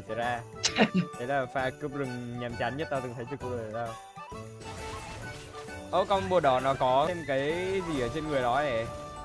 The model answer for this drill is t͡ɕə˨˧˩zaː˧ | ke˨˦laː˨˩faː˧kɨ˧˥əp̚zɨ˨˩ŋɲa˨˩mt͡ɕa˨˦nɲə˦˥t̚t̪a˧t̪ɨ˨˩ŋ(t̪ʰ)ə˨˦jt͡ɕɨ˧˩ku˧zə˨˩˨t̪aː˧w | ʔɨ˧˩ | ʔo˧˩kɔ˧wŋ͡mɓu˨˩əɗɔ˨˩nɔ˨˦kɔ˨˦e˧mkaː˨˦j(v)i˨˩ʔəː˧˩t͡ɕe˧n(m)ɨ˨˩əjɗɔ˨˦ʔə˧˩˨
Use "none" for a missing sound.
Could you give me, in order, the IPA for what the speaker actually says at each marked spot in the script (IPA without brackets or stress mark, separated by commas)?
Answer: t̪ʰ, z, ŋ